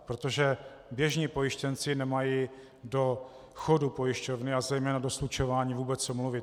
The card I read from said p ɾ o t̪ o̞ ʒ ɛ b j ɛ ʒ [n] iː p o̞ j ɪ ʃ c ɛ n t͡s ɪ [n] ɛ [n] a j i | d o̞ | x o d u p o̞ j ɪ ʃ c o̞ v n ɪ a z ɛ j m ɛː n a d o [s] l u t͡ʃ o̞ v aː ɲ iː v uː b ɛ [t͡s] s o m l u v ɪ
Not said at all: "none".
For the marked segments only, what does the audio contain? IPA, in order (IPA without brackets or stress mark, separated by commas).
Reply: ɲ, n, m, s, t͡s